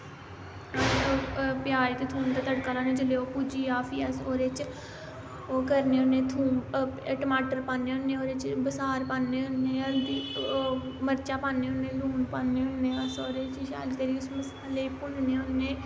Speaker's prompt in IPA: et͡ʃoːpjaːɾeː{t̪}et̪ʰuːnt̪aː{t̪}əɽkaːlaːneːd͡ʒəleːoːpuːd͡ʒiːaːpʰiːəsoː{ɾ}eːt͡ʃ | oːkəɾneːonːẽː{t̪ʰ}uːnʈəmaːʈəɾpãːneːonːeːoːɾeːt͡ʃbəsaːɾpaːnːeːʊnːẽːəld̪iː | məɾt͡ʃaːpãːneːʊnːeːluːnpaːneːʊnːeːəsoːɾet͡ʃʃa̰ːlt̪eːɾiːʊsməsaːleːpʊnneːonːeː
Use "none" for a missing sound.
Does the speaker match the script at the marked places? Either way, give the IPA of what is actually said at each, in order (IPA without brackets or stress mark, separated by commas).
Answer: t̪, t̪, ɾ, t̪ʰ